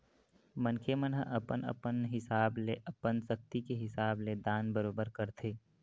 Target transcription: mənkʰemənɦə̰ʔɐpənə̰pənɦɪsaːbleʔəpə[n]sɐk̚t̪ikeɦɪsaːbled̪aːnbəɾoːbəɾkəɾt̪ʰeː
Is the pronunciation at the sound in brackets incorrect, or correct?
correct